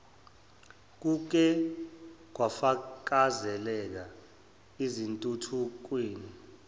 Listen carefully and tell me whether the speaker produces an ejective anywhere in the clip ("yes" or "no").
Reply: yes